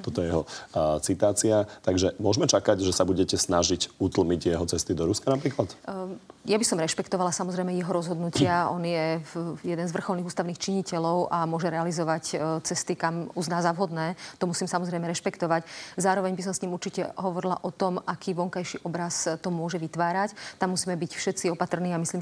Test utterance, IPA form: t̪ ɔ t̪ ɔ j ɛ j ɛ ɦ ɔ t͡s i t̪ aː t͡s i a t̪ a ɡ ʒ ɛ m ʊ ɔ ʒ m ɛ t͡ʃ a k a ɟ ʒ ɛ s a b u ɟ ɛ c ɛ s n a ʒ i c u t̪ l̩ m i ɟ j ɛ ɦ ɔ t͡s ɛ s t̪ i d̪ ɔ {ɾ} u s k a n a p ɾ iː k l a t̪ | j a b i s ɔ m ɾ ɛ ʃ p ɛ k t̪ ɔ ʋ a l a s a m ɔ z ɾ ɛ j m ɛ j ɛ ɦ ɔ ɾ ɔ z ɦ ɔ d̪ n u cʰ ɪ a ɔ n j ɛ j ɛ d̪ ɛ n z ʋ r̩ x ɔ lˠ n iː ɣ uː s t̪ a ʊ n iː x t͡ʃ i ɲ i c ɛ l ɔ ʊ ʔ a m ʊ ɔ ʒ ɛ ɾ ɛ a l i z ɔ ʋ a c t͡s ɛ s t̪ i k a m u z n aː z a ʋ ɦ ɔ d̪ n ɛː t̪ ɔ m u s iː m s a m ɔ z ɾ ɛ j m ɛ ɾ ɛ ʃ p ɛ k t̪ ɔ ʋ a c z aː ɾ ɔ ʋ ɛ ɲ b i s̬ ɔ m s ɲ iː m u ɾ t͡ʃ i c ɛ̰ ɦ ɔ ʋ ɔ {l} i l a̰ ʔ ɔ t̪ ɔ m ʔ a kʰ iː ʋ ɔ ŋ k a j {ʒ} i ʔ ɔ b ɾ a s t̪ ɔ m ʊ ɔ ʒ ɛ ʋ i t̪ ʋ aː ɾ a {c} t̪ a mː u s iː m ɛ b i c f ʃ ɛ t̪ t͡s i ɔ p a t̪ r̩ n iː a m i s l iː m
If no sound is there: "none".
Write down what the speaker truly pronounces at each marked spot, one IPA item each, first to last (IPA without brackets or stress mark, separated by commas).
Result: ɾ, ɾ, ʃ, c